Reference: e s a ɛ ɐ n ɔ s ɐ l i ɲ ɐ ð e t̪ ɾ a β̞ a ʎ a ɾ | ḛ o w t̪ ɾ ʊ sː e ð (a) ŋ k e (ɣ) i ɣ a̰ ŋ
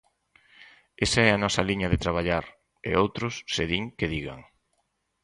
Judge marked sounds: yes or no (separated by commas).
no, no